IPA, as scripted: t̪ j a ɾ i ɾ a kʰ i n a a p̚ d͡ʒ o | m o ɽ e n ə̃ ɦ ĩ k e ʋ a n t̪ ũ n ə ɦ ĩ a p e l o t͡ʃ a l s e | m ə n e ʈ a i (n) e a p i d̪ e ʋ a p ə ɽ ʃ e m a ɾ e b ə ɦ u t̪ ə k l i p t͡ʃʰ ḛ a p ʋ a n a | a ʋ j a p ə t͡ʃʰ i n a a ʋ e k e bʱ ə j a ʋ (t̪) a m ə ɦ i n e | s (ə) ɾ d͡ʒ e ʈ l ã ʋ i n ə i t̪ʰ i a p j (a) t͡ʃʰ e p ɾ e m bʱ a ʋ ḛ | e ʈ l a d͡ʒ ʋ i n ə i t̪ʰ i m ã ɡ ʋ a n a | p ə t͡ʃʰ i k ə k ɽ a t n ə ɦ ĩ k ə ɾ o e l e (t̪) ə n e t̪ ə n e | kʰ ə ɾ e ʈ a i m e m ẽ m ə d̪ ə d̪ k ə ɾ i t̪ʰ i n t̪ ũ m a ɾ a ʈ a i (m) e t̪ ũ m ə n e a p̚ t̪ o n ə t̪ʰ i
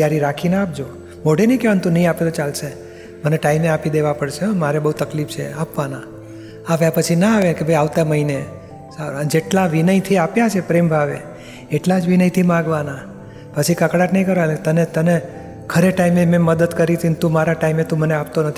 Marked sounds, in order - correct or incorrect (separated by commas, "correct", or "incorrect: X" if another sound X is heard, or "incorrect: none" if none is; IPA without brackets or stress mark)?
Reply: incorrect: m, correct, incorrect: a, correct, correct, correct